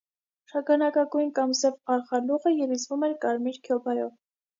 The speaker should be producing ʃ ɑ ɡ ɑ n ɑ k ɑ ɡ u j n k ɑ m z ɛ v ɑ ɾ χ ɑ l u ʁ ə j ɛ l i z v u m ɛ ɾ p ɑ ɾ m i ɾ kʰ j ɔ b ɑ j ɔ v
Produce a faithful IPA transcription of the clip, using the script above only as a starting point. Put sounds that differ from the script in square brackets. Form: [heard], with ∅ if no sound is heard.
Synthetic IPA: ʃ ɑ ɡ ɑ n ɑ k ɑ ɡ u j n k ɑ m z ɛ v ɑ ɾ χ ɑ l u ʁ ə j ɛ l i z v u m ɛ ɾ [k] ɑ ɾ m i ɾ kʰ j ɔ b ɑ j ɔ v